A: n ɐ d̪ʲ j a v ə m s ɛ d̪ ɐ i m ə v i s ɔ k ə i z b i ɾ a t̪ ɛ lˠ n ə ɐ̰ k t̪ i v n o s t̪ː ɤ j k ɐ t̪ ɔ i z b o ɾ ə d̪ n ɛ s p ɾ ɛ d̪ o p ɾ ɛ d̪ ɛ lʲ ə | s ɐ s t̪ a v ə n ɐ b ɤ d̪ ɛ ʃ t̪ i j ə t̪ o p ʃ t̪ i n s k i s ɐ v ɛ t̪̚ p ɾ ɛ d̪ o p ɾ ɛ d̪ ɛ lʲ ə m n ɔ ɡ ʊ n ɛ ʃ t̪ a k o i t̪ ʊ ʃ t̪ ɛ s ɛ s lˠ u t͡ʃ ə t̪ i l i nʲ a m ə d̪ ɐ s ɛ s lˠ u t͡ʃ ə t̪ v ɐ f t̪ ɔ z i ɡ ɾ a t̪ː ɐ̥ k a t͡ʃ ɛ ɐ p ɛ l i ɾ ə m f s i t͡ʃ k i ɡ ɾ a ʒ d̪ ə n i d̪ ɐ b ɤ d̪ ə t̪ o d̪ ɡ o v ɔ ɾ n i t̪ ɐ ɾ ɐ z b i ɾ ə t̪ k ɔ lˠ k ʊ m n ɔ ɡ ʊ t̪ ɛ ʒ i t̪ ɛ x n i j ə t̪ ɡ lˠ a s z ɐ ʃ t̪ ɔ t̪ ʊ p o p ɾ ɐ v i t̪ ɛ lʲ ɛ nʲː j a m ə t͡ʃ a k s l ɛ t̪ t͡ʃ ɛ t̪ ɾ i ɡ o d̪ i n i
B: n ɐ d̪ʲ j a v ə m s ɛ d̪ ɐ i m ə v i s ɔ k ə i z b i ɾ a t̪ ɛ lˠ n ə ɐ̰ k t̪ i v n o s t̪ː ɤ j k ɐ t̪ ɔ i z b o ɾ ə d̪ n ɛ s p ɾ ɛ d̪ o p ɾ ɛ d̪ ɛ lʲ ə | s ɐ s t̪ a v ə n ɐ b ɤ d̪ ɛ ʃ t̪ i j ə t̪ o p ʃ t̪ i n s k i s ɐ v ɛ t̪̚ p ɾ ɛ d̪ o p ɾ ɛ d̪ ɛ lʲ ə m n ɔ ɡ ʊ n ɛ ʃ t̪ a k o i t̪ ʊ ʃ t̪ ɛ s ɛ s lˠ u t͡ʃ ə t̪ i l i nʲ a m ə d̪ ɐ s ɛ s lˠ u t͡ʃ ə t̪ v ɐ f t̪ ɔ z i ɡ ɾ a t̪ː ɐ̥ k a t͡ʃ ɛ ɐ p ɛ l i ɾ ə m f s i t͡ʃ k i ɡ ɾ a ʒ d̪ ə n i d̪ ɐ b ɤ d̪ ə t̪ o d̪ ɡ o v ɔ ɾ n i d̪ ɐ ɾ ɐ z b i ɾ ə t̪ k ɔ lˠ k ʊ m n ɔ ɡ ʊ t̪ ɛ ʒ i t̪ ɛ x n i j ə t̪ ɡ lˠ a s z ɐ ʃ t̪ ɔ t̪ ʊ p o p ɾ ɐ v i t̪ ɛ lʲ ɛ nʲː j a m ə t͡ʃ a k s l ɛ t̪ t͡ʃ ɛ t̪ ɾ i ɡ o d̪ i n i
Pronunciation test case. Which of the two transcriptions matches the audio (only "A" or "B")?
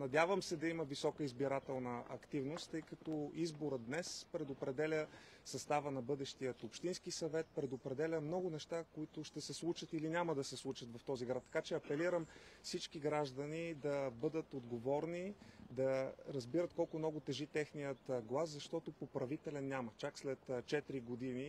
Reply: B